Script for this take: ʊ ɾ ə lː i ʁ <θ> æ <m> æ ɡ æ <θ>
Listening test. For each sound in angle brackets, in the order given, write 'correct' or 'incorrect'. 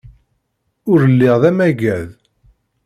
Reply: incorrect, correct, incorrect

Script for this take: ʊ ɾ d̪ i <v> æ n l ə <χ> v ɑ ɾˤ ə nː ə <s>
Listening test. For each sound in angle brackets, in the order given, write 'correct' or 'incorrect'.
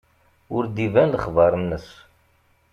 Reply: correct, correct, correct

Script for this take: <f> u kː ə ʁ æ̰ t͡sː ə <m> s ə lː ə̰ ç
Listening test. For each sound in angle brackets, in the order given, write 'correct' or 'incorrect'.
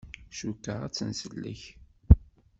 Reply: incorrect, incorrect

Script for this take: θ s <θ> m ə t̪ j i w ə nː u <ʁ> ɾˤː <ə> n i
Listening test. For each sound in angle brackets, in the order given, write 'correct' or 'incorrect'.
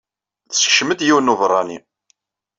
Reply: incorrect, incorrect, incorrect

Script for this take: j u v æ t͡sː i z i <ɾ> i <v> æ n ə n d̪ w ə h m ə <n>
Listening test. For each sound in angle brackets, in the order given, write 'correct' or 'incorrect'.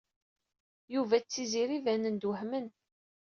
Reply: correct, correct, correct

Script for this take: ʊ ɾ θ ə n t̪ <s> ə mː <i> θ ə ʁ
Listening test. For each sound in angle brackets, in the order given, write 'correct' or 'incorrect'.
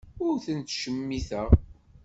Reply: incorrect, correct

